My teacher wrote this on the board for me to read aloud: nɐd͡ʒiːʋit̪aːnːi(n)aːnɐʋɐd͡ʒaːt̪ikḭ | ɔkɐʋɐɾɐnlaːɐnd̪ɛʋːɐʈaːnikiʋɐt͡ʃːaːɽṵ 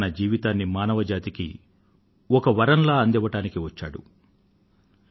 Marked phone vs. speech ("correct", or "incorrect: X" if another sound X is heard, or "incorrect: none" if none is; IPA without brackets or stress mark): incorrect: m